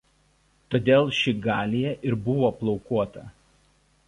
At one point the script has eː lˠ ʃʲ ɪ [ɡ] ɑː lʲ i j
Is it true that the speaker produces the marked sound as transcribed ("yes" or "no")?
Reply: yes